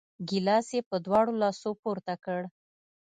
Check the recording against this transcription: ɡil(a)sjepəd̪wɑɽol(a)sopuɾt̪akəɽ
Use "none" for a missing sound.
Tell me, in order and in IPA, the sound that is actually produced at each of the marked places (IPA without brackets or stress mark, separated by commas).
ɑ, ɑ